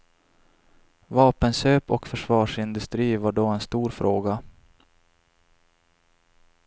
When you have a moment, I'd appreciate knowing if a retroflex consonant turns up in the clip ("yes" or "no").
yes